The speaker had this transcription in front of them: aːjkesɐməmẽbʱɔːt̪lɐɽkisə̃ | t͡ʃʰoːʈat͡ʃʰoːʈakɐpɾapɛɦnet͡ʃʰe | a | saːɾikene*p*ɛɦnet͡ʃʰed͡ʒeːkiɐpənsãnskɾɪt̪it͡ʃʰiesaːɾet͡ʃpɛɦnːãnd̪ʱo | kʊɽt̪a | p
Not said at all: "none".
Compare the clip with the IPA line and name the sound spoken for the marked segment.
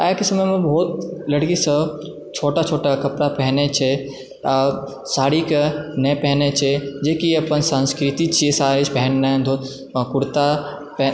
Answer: p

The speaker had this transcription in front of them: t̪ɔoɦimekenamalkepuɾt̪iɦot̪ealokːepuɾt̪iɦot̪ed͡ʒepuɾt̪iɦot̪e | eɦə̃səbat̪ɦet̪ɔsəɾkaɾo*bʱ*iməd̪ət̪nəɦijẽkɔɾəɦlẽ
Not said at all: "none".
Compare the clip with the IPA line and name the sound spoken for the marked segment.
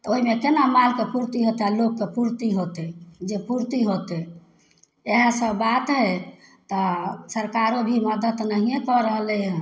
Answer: bʱ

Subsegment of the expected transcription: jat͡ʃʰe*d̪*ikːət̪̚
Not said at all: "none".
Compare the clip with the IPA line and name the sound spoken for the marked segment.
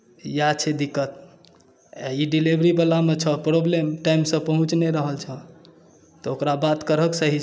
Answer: d̪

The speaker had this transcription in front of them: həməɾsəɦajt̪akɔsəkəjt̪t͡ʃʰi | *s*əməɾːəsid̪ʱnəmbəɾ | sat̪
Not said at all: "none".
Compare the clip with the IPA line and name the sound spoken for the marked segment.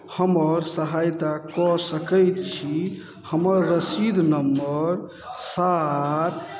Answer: h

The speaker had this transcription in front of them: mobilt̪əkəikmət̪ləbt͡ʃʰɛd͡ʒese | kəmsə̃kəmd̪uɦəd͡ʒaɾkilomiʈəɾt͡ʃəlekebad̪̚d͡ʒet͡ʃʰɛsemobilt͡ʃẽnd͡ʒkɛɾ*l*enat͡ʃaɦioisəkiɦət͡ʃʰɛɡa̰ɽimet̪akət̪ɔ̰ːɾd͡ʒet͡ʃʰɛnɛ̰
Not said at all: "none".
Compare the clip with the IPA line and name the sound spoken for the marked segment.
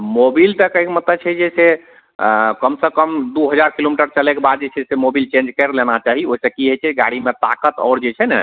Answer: l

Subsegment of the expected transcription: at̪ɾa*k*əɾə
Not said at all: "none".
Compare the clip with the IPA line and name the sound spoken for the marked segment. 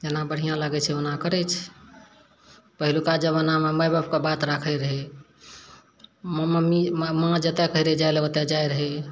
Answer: kʰ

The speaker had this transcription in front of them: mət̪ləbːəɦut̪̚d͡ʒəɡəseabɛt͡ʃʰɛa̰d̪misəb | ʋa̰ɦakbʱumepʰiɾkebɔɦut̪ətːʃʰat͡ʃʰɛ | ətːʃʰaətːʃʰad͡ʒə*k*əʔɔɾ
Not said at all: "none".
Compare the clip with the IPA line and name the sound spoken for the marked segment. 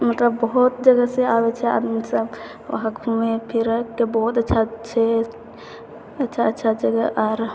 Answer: ɡ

